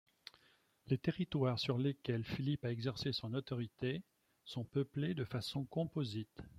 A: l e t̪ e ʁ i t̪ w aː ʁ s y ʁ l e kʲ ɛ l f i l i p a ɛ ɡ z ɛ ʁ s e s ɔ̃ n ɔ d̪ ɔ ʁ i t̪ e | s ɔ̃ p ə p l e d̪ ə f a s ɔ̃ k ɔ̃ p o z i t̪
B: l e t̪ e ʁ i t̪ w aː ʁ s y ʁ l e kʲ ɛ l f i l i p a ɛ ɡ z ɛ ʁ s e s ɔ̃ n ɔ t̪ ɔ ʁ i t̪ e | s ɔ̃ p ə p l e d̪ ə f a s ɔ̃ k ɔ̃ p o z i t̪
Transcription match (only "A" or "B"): B